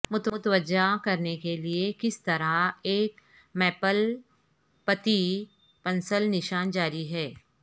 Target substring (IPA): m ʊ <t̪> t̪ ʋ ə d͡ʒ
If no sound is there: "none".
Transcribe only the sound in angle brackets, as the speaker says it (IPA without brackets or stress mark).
t̪